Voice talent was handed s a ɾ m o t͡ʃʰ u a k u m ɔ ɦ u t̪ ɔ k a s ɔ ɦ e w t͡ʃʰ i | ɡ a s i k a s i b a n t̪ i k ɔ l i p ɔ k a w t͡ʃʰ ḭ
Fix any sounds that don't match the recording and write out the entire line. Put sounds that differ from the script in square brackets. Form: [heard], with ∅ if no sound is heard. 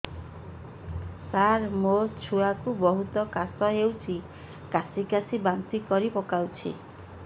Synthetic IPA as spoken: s a ɾ m o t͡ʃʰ u a k u [b] ɔ ɦ u t̪ ɔ k a s ɔ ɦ e w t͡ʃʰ i | [k] a s i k a s i b a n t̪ i k ɔ [ɾ] i p ɔ k a w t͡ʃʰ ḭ